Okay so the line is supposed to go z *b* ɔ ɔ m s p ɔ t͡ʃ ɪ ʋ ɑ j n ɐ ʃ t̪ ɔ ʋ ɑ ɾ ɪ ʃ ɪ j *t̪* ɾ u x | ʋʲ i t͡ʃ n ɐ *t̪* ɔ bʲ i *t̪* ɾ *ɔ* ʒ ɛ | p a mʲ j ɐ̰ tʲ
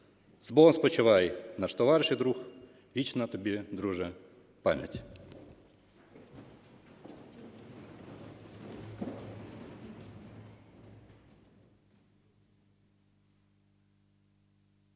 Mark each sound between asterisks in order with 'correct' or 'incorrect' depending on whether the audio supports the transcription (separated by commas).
correct, incorrect, correct, incorrect, incorrect